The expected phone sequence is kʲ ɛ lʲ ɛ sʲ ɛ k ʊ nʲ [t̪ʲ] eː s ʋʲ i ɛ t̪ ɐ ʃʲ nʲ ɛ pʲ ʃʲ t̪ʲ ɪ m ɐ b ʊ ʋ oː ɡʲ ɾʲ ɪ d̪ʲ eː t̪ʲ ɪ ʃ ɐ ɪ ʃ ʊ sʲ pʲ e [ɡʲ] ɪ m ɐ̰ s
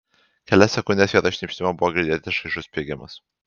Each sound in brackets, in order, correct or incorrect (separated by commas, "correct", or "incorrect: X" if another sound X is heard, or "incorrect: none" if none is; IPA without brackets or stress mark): incorrect: d̪ʲ, correct